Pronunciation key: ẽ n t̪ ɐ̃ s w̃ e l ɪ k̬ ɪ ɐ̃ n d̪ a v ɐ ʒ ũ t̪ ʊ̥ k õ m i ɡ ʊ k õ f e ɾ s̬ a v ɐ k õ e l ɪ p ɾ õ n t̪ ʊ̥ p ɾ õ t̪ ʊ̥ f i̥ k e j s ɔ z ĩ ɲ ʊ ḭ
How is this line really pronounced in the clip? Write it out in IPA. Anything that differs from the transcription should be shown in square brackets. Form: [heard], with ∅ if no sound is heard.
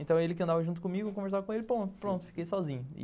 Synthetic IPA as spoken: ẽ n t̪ ɐ̃ [∅] w̃ e l ɪ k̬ ɪ ɐ̃ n d̪ a v ɐ ʒ ũ t̪ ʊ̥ k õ m i ɡ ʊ k õ [v] e ɾ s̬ a v ɐ k õ e l ɪ p ɾ õ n t̪ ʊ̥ p ɾ õ t̪ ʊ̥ f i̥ k e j s ɔ z ĩ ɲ ʊ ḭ